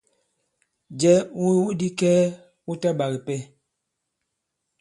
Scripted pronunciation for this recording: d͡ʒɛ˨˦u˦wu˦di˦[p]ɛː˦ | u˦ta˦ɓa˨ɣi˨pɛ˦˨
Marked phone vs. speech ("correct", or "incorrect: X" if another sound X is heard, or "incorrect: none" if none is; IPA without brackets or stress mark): incorrect: k